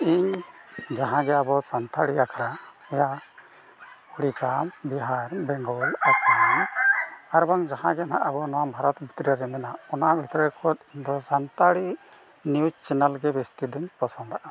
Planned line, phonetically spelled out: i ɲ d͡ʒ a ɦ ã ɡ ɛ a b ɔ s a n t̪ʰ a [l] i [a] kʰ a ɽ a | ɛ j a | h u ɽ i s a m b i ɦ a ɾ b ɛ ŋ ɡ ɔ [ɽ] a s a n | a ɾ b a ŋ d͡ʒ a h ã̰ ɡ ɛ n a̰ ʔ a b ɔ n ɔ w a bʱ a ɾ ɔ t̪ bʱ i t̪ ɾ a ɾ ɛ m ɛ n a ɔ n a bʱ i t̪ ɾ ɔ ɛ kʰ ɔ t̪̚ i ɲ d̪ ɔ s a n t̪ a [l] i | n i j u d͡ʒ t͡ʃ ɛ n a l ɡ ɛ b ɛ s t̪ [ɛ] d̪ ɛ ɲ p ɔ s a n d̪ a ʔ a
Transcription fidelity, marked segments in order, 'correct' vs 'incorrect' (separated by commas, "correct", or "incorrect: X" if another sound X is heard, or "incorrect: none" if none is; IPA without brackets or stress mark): incorrect: ɽ, correct, incorrect: l, incorrect: ɽ, incorrect: i